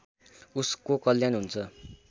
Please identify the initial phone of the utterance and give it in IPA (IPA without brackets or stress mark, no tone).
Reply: u